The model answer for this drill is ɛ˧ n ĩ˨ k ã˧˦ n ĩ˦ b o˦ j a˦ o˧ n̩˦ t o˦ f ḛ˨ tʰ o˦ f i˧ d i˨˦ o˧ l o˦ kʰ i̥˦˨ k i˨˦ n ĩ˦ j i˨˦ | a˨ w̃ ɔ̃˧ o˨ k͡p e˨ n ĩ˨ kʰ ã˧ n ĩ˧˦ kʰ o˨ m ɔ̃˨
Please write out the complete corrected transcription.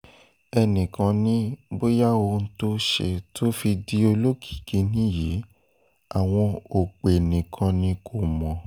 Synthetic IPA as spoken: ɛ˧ n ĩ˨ k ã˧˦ n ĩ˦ b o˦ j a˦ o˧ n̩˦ t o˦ ʃ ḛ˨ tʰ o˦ f i˧ d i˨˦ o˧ l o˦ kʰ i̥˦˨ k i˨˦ n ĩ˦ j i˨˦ | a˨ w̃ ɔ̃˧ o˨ k͡p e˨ n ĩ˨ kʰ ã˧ n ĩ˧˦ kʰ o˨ m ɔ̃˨